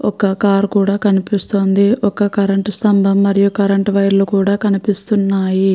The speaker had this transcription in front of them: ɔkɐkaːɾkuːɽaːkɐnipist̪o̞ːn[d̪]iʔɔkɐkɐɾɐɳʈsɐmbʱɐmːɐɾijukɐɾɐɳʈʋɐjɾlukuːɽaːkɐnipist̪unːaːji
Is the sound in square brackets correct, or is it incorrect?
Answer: correct